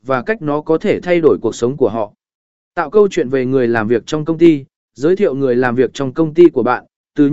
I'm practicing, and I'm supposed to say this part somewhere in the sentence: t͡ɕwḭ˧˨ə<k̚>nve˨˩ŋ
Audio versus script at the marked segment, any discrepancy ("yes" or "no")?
yes